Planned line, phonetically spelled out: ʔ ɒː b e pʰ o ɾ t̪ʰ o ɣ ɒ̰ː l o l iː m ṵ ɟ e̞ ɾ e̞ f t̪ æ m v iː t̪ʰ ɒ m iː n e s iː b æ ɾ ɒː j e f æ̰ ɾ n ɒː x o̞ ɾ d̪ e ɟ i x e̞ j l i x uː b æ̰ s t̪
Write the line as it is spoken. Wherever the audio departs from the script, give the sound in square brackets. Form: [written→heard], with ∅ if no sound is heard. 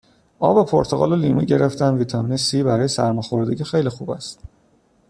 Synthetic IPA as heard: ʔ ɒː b e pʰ o ɾ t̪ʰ o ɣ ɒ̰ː l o l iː m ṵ ɟ e̞ ɾ e̞ f t̪ æ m v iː t̪ʰ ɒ m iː n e s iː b æ ɾ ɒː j e [f→s] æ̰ ɾ [n→m] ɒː x o̞ ɾ d̪ e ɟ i x e̞ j l i x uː b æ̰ s t̪